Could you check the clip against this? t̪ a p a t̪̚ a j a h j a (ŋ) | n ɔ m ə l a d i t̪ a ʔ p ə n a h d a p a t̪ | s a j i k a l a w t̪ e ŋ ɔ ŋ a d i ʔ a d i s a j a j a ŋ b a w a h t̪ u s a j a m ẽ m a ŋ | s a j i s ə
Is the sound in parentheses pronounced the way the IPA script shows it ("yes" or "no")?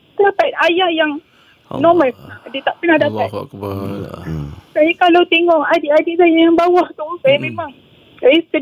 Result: yes